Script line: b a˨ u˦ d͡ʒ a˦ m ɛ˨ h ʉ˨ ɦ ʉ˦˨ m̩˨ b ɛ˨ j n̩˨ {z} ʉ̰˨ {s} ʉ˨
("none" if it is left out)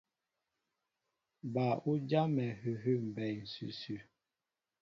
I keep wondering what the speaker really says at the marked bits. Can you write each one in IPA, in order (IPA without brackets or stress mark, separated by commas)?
s, s